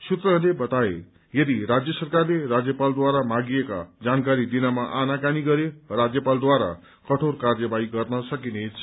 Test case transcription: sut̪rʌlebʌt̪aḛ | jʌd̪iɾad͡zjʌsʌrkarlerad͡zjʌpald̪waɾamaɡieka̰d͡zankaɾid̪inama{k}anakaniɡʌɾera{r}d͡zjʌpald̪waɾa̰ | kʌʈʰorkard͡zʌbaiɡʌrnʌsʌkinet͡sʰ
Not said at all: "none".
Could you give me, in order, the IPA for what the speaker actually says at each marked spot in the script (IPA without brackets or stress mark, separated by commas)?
ʔ, none